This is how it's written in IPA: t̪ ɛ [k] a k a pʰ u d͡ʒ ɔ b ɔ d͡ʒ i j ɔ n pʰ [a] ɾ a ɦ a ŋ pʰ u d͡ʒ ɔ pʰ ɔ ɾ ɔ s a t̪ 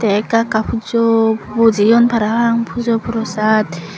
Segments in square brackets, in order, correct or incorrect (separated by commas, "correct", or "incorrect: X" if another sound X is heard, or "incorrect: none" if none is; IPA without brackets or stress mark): correct, correct